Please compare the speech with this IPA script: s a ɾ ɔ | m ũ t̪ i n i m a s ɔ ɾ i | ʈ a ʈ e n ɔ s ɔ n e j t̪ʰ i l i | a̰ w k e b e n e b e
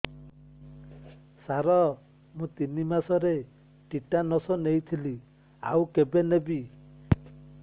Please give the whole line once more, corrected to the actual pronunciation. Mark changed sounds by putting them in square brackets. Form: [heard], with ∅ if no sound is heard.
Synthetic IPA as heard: s a ɾ ɔ | m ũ t̪ i n i m a s ɔ ɾ [e] | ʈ [i] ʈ [a] n ɔ s ɔ n e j t̪ʰ i l i | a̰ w k e b e n e b [i]

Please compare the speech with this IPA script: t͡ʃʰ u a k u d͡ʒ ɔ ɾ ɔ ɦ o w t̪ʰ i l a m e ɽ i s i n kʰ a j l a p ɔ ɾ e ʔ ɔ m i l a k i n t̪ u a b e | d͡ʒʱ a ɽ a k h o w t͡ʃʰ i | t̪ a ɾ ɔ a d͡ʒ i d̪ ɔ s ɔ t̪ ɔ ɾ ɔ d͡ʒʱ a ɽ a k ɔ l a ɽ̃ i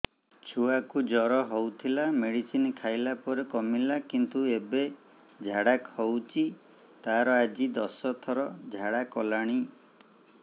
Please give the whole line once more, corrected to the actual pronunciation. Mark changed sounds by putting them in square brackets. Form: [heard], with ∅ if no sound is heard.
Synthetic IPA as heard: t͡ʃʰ u a k u d͡ʒ ɔ ɾ ɔ ɦ o w t̪ʰ i l a m e ɽ i s i n kʰ a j l a p ɔ ɾ e [k] ɔ m i l a k i n t̪ u [e] b e | d͡ʒʱ a ɽ a k h o w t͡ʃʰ i | t̪ a ɾ ɔ a d͡ʒ i d̪ ɔ s ɔ [t̪ʰ] ɔ ɾ ɔ d͡ʒʱ a ɽ a k ɔ l a ɽ̃ i

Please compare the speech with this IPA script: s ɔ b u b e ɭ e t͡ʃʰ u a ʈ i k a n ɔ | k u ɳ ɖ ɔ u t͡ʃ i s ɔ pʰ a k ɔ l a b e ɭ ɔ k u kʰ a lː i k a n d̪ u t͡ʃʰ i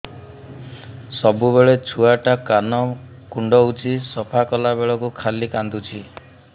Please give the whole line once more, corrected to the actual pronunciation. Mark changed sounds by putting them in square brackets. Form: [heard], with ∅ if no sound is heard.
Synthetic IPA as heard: s ɔ b u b e ɭ e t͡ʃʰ u a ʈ [a] k a n ɔ | k u ɳ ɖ ɔ u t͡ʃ i s ɔ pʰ a k ɔ l a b e ɭ ɔ k u kʰ a [l] i k a n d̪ u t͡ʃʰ i

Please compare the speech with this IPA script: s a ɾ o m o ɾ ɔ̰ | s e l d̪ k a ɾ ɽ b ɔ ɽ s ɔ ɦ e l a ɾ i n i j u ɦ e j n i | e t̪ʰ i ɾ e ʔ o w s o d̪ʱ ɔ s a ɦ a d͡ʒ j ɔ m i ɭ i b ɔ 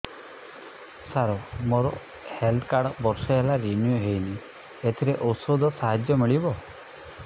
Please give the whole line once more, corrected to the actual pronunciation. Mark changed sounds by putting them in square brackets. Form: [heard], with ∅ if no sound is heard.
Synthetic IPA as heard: s a ɾ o m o ɾ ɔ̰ | [h] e l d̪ k a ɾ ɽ b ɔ [ɾ] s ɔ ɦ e l a ɾ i n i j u ɦ e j n i | e t̪ʰ i ɾ e ʔ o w s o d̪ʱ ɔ s a ɦ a d͡ʒ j ɔ m i ɭ i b ɔ

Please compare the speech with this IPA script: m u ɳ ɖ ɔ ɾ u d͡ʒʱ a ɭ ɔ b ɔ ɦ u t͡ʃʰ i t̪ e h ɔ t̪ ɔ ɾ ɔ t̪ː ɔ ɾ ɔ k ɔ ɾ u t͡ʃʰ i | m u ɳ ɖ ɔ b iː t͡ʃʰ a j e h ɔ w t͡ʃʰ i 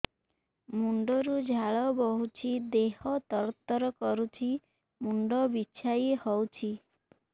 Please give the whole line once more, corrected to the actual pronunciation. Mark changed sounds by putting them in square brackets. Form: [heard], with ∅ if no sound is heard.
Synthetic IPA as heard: m u ɳ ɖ ɔ ɾ u d͡ʒʱ a ɭ ɔ b ɔ ɦ u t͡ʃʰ i [d̪] e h ɔ t̪ ɔ ɾ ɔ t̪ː ɔ ɾ ɔ k ɔ ɾ u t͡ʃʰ i | m u ɳ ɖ ɔ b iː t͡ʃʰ a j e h ɔ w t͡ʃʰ i

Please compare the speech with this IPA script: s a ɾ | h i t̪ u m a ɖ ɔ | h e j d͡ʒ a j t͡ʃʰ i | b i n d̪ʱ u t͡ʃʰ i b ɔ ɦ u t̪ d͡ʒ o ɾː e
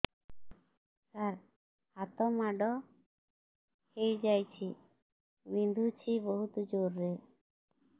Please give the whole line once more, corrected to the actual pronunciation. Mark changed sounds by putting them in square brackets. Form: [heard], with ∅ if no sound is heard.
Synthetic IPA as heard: s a ɾ | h [a] t̪ [ɔ] m a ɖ ɔ | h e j d͡ʒ a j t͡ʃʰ i | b i n d̪ʱ u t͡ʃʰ i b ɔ ɦ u t̪ d͡ʒ o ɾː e

